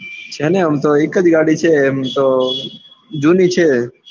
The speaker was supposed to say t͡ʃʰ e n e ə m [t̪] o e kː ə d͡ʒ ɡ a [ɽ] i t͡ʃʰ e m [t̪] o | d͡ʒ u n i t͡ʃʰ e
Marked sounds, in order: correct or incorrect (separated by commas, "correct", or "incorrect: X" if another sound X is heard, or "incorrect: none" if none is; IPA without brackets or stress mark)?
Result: correct, correct, correct